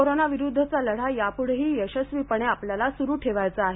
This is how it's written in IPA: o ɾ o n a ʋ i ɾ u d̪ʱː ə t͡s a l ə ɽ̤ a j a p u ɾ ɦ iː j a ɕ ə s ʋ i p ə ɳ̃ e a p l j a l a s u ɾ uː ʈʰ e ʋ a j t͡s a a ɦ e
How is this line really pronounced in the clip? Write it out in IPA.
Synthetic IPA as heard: o ɾ o n a ʋ i ɾ u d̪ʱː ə t͡s a l ə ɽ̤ a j a p u ɽ ɦ iː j ə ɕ ə s ʋ i p ə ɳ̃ e a p l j a l a s u ɾ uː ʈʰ e ʋ a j t͡s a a ɦ e